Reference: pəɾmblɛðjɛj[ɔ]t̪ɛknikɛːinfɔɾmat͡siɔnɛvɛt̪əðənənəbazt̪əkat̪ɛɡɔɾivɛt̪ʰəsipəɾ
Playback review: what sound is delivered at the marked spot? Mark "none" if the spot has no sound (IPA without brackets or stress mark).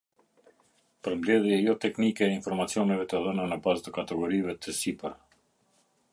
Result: ɔ